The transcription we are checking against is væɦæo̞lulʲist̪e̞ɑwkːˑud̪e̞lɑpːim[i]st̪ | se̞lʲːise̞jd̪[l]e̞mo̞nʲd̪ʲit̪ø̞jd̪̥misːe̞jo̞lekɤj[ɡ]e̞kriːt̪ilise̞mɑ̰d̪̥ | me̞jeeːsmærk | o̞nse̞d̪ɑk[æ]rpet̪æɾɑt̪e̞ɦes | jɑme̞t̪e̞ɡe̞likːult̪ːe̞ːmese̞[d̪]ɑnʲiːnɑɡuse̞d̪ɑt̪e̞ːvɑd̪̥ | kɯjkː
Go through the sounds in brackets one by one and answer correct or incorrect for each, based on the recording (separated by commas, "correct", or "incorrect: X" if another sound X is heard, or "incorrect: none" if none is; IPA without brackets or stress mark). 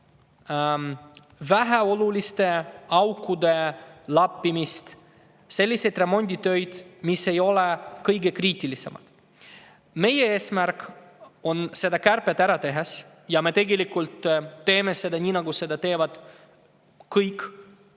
correct, incorrect: r, correct, correct, correct